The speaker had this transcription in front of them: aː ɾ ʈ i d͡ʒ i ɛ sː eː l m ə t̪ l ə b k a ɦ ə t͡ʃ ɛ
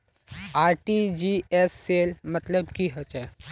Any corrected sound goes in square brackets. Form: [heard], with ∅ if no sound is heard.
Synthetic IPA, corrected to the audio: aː ɾ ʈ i d͡ʒ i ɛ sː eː l m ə t̪ l ə b k [i] ɦ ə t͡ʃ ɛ